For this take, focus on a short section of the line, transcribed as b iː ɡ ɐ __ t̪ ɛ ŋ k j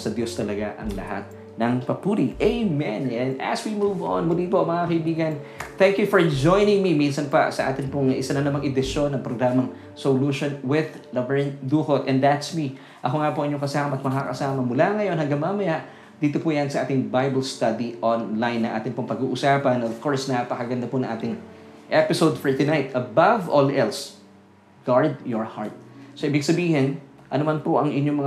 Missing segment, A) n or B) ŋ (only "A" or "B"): A